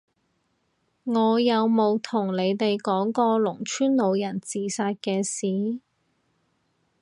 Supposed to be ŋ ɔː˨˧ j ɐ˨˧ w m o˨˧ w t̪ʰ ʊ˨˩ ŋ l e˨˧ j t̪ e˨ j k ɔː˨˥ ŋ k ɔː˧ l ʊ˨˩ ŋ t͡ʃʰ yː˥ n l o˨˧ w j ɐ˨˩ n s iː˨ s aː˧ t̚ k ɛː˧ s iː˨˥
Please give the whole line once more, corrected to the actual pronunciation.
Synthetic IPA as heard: ŋ ɔː˨˧ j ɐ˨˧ w m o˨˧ w t̪ʰ ʊ˨˩ ŋ l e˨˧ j t̪ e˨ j k ɔː˨˥ ŋ k ɔː˧ l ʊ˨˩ ŋ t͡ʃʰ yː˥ n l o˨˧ w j ɐ˨˩ n t͡s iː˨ s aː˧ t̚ k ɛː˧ s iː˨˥